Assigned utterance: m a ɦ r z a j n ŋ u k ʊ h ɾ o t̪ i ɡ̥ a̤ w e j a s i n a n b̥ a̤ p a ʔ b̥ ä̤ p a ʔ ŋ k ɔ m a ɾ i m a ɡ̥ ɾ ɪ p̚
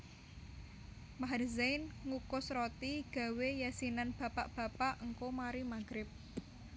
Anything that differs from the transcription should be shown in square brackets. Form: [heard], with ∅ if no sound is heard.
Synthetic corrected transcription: m a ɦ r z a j n ŋ u k ʊ [s] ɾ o t̪ i ɡ̥ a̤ w e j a s i n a n b̥ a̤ p a ʔ b̥ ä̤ p a ʔ ŋ k [o] m a ɾ i m a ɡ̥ ɾ ɪ p̚